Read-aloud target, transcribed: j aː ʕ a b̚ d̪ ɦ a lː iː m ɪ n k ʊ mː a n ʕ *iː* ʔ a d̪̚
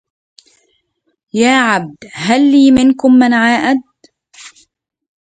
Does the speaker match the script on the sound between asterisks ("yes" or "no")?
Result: no